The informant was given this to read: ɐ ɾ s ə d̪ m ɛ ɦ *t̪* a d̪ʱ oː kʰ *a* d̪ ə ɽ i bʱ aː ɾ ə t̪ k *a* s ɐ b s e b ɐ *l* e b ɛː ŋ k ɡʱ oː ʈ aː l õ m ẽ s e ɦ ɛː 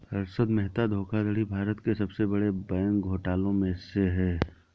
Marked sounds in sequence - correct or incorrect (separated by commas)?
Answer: correct, correct, incorrect, incorrect